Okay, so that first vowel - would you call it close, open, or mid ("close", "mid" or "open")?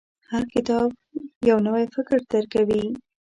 open